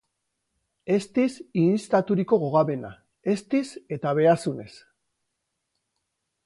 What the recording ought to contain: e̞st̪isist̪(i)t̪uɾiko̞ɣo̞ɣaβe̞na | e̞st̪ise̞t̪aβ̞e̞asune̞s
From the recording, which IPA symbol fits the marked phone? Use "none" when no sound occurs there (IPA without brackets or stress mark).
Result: a